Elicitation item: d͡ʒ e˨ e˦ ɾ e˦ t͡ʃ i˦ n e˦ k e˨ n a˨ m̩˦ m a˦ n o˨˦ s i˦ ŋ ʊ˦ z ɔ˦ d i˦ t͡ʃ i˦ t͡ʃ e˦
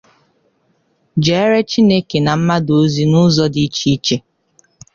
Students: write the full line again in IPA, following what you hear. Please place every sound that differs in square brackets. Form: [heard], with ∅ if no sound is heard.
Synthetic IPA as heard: d͡ʒ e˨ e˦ ɾ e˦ t͡ʃ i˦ n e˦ k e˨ n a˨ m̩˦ m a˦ [d] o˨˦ [z] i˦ [n] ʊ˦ z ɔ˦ d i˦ t͡ʃ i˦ t͡ʃ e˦